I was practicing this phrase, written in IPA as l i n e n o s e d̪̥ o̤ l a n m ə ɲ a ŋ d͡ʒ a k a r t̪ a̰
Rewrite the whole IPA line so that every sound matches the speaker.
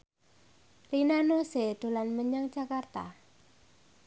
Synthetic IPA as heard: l i n a n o s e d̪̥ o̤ l a n m ə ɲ a ŋ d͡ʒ a k a r t̪ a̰